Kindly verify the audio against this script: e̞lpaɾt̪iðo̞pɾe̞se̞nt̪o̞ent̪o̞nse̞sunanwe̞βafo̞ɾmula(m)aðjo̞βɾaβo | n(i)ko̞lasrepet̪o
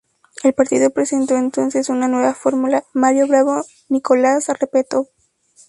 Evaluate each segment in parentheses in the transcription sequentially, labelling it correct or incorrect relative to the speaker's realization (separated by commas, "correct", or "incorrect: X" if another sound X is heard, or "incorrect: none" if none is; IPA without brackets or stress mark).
correct, correct